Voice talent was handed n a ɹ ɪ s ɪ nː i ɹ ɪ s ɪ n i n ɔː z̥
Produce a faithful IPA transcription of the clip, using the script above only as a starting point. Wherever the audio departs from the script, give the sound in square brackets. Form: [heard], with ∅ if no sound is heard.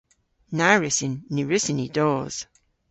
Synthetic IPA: n a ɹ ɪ s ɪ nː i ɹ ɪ s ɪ n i [d] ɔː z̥